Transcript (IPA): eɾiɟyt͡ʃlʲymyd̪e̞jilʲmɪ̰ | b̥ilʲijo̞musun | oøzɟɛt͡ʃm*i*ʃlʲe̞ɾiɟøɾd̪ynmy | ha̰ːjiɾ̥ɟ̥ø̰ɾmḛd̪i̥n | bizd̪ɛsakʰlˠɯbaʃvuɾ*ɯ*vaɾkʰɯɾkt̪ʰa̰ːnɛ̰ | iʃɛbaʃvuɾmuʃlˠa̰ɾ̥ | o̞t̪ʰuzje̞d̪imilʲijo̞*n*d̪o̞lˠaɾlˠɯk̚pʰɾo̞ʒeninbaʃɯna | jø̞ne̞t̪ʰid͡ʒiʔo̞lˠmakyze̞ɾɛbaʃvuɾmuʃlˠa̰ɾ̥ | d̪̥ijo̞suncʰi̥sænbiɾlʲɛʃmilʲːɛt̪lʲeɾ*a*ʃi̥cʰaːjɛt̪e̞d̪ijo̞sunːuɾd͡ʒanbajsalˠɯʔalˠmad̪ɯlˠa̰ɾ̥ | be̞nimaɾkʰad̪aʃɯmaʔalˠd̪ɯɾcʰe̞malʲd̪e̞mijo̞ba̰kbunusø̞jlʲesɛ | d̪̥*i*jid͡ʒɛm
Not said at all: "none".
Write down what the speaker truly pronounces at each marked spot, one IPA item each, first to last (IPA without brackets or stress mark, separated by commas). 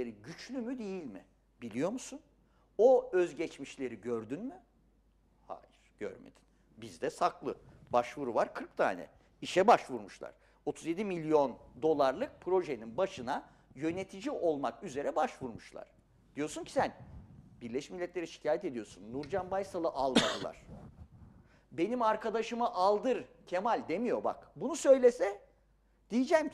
i, u, n, i, i